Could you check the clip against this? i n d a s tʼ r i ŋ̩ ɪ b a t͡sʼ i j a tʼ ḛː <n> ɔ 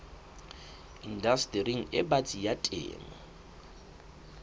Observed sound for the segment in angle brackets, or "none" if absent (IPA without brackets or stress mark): m